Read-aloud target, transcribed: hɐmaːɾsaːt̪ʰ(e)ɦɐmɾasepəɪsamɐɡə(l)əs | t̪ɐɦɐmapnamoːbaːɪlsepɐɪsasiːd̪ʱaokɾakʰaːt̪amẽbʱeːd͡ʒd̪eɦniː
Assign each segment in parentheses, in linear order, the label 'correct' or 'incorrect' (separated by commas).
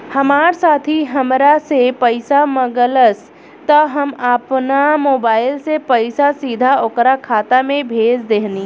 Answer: incorrect, correct